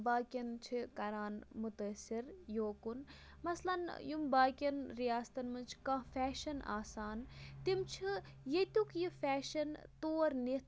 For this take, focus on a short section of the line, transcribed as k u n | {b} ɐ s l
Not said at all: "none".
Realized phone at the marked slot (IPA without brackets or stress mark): m